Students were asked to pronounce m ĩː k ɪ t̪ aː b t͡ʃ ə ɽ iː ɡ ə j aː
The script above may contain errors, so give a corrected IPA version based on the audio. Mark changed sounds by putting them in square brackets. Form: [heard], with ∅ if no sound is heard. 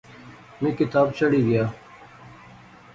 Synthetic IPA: m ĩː k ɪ t̪ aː b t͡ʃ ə ɽ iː ɡ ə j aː